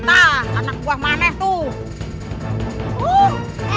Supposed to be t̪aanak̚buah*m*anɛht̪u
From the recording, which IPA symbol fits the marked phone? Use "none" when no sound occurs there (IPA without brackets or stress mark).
m